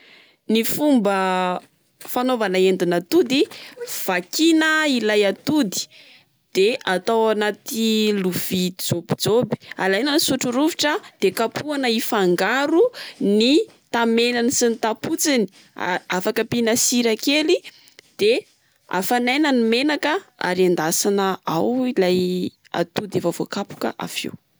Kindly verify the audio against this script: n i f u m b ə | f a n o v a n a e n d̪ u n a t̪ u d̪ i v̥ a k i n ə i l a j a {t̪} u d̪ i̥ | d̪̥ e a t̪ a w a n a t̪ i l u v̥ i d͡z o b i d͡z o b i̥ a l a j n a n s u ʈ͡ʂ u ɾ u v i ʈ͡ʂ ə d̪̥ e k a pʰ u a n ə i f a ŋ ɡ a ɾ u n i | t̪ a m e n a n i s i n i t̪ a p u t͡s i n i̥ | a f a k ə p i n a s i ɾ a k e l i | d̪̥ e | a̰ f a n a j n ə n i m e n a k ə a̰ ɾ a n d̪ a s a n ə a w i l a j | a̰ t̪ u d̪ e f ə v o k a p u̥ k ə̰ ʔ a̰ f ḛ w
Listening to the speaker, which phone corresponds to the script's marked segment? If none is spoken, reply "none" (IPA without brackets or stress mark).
t̪